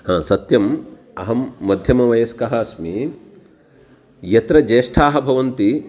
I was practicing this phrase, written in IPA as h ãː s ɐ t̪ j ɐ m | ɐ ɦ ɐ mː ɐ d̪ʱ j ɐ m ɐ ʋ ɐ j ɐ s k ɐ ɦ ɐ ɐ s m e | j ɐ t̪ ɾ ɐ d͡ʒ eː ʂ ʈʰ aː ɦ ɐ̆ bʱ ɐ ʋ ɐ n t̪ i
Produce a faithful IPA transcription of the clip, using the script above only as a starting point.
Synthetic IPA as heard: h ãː s ɐ t̪ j ɐ m | ɐ ɦ ɐ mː ɐ d̪ʱ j ɐ m ɐ ʋ ɐ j ɐ s k ɐ ɦ ɐ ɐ s m i | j ɐ t̪ ɾ ɐ d͡ʒ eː ʂ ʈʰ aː ɦ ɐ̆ bʱ ɐ ʋ ɐ n t̪ i